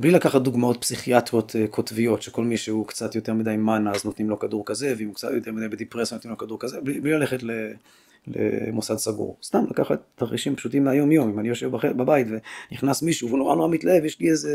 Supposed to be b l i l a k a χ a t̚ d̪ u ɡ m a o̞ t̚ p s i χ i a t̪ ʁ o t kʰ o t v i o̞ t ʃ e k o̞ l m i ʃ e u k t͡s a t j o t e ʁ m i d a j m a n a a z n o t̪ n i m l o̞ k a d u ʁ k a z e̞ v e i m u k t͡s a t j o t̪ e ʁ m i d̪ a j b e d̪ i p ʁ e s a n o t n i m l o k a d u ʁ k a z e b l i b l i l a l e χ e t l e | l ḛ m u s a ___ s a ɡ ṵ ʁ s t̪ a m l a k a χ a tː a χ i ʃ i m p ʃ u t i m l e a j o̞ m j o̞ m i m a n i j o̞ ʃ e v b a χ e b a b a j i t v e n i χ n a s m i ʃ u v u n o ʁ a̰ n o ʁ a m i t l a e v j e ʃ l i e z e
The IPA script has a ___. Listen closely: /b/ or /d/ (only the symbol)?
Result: d